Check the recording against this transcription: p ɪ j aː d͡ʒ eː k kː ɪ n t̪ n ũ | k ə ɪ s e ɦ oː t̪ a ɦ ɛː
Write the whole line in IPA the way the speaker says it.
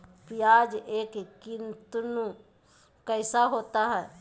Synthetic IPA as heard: p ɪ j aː d͡ʒ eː k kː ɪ n t̪ n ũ | k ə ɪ s a ɦ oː t̪ a ɦ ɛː

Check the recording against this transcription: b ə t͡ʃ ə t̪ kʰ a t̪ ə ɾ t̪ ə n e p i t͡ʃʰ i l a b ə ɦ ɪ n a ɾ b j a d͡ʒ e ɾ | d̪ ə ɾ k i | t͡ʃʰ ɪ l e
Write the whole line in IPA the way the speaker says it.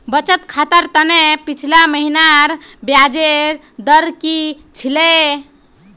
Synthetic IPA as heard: b ə t͡ʃ ə t̪ kʰ a t̪ ə ɾ t̪ ə n e p i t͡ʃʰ i l a m ə ɦ i n a ɾ b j a d͡ʒ e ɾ | d̪ ə ɾ k i | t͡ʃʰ i l e

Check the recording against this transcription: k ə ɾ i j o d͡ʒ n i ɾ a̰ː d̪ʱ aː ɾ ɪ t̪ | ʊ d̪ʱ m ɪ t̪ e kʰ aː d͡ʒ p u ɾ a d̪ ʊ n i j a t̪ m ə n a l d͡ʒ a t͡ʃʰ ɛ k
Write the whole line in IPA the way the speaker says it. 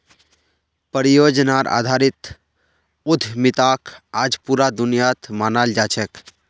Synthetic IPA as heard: p ə ɾ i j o d͡ʒ n a ɾ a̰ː d̪ʱ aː ɾ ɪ t̪ | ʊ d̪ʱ m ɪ t̪ a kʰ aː d͡ʒ p u ɾ a d̪ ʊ n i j a t̪ m a n a l d͡ʒ a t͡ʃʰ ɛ k

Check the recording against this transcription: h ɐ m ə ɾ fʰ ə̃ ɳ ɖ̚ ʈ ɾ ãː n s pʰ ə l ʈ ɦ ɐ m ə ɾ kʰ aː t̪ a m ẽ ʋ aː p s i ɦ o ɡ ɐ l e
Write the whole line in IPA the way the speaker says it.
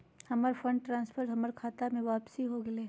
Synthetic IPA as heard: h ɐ m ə ɾ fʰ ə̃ ɳ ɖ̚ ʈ ɾ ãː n s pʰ ə ɾ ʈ ɦ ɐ m ə ɾ kʰ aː t̪ a m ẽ ʋ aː p s i ɦ o ɡ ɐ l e

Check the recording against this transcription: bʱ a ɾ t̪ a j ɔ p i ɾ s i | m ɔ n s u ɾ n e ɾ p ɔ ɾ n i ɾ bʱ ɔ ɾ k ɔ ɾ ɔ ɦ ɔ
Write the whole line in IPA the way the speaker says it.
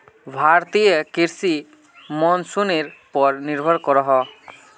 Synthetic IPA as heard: bʱ a ɾ t̪ i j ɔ k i ɾ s i | m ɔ n s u n e ɾ p ɔ ɾ n i ɾ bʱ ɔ ɾ k ɔ ɾ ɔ ɦ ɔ

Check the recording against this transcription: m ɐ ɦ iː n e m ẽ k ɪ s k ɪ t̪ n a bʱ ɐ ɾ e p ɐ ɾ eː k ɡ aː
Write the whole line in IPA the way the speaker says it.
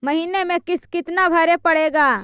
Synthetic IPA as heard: m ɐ ɦ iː n e m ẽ k ɪ s k ɪ t̪ n a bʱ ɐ ɾ e p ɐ ɽ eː ɡ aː

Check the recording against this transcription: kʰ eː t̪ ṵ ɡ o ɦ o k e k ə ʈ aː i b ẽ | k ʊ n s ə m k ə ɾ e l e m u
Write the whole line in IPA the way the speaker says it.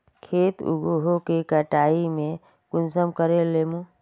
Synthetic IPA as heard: kʰ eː t̪ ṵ ɡ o ɦ o k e k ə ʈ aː i m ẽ | k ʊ n s ə m k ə ɾ e l e m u

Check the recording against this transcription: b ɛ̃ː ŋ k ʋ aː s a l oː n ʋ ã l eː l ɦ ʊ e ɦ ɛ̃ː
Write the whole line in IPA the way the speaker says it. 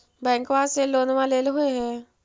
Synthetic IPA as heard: b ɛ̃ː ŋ k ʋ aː s e l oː n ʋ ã l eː l ɦ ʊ e ɦ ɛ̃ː

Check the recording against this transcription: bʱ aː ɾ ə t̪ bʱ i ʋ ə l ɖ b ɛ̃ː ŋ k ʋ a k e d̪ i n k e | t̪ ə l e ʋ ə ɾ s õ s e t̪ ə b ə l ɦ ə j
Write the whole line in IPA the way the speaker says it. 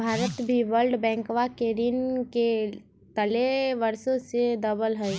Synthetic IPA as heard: bʱ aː ɾ ə t̪ bʱ i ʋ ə l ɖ b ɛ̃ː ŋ k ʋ a k e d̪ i n k e | t̪ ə l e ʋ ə ɾ s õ s e d̪ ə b ə l ɦ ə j

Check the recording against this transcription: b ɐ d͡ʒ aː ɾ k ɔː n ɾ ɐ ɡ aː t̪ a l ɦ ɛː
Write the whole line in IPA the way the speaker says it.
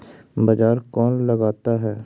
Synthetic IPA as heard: b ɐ d͡ʒ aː ɾ k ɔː n l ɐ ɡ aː t̪ a ɦ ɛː

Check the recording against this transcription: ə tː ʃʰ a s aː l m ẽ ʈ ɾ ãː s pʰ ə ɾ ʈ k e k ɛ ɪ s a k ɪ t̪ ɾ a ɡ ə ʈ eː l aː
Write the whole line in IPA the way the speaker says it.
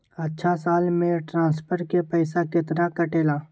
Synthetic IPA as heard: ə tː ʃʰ a s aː l m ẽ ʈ ɾ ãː s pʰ ə ɾ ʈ k e p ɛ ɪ s a k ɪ t̪ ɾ a k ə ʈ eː l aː

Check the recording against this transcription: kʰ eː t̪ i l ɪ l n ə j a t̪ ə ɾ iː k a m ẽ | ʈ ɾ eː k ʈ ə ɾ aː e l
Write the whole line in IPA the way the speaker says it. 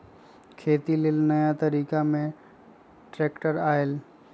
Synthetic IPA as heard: kʰ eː t̪ i l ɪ l n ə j a t̪ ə ɾ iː k a m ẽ | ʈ ɾ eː k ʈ ə ɾ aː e l

